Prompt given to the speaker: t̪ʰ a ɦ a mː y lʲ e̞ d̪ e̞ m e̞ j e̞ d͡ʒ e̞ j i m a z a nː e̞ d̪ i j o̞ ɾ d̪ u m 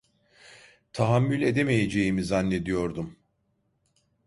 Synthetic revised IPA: t̪ʰ a ɦ a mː y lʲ e̞ d̪ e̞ m e̞ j e̞ d͡ʒ e̞ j i m i z a nː e̞ d̪ i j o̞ ɾ d̪ u m